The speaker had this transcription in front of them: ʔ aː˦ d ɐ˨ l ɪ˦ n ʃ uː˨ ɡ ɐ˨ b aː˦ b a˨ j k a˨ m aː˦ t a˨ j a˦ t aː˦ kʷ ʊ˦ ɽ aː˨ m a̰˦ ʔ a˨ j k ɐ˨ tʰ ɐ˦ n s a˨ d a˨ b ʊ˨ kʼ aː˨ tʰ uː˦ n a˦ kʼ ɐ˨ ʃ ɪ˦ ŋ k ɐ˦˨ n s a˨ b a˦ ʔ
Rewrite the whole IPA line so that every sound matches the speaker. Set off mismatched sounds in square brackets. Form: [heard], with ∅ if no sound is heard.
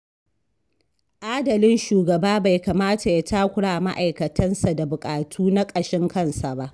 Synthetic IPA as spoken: ʔ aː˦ d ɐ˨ l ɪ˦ n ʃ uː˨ ɡ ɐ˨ b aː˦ b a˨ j k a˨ m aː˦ t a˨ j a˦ t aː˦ kʷ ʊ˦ ɽ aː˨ m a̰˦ ʔ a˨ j k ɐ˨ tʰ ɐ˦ n s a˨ d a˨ b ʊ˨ kʼ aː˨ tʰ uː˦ n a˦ kʼ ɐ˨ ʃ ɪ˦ ŋ k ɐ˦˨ n s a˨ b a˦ ʔ